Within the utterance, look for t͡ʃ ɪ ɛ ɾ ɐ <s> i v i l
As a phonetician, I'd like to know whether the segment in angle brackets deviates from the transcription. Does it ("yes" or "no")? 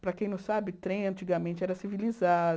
no